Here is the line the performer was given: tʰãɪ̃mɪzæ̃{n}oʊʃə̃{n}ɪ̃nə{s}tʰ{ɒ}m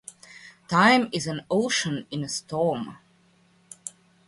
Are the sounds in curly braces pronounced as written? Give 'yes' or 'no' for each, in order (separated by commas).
yes, yes, yes, no